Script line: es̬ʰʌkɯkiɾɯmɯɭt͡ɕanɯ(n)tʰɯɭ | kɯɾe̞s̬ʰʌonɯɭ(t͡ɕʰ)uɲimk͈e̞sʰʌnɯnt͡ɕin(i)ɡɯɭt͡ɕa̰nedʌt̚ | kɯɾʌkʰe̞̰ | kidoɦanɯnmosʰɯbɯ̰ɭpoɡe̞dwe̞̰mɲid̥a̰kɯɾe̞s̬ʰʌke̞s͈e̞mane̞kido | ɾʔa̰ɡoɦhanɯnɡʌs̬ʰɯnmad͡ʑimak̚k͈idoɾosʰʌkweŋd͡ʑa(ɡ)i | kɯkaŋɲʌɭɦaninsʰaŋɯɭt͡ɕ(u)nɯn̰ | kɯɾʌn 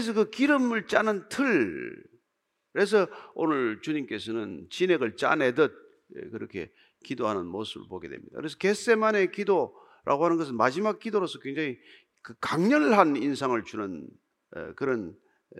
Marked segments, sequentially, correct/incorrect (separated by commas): correct, incorrect, incorrect, incorrect, correct